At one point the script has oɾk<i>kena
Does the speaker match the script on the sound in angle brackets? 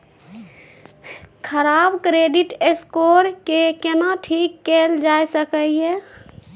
no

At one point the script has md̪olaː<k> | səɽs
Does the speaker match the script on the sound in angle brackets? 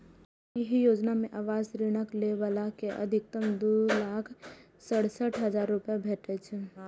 no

